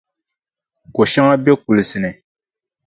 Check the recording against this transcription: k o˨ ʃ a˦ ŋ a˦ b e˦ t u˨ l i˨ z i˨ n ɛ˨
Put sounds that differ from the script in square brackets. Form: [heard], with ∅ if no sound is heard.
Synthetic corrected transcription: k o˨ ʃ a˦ ŋ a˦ b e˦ [k] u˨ l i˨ [s] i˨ n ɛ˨